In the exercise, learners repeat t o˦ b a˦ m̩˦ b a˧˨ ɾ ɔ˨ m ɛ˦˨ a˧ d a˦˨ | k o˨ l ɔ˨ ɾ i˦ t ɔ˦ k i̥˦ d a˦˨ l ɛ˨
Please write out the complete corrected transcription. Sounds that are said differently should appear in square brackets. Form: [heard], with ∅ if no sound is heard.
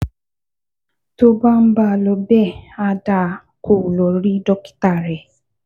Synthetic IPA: t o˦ b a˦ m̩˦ b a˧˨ [l] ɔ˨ [b] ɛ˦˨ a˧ d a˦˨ | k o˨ l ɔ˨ ɾ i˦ [d] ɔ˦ k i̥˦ [t] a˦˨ [ɾ] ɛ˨